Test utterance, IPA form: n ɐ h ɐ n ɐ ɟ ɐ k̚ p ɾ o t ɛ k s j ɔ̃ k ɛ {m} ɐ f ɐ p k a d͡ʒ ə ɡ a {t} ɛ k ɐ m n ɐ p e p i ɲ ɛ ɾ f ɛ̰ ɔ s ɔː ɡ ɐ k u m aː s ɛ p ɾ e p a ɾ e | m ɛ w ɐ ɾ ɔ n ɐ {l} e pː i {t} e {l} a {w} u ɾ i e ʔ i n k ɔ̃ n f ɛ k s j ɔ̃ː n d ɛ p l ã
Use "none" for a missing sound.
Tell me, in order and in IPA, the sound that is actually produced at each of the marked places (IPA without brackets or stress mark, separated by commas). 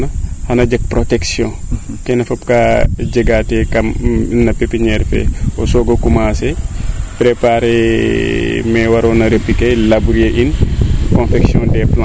n, t, ɾ, k, l, b